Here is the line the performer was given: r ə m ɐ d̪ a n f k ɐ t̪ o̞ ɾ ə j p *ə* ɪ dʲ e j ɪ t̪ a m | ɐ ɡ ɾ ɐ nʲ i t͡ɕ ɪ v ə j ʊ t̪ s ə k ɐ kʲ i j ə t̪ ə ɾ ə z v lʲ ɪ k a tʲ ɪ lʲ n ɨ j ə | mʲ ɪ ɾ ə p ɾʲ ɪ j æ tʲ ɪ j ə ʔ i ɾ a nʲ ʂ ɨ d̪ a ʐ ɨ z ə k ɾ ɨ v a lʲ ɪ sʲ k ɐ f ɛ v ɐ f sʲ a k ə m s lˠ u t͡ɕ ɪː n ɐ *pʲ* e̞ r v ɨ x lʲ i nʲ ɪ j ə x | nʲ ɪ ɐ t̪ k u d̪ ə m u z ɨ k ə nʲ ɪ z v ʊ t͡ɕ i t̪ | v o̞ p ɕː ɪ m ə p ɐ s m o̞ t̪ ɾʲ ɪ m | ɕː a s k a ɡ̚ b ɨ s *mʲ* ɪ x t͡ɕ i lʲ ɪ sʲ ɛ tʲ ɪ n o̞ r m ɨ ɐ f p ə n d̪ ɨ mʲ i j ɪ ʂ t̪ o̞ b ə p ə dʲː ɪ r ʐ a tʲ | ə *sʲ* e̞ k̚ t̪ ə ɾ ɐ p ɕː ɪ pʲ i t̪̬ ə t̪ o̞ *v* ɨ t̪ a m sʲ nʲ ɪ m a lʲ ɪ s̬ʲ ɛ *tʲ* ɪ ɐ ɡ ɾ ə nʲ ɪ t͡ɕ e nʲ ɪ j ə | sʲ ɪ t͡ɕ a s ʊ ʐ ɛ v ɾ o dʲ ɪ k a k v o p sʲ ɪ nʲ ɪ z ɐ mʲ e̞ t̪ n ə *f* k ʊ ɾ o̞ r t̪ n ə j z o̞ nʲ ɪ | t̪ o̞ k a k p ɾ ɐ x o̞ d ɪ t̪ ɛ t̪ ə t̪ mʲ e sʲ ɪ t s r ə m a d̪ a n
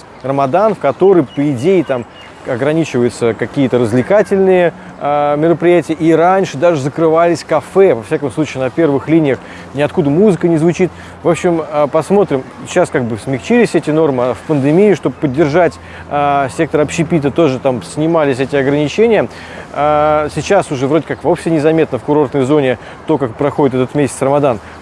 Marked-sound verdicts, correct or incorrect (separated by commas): correct, correct, correct, correct, incorrect, correct, correct